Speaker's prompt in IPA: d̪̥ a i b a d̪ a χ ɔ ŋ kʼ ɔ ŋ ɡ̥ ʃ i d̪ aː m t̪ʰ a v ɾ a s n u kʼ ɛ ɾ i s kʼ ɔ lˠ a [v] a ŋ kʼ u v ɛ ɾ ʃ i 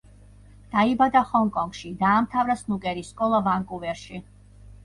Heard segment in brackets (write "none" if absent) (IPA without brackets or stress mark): v